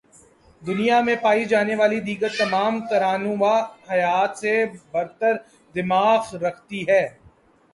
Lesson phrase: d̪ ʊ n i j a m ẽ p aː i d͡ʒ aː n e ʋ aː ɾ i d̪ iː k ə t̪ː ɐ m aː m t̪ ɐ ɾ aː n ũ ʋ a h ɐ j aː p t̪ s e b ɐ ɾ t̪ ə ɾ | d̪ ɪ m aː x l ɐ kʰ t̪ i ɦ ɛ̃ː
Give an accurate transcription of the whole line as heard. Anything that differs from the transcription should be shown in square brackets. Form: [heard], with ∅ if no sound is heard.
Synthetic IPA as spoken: d̪ ʊ n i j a m ẽ p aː i d͡ʒ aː n e ʋ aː [l] i d̪ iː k ə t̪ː ɐ m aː m t̪ ɐ ɾ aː n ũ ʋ a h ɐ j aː [∅] t̪ s e b ɐ ɾ t̪ ə ɾ | d̪ ɪ m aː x [ɾ] ɐ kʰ t̪ i ɦ [ɛː]